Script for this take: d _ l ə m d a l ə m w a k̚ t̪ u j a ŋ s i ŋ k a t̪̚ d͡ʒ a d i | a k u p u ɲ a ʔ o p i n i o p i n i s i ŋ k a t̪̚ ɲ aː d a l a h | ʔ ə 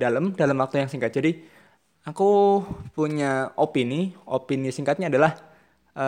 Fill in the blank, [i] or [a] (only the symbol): a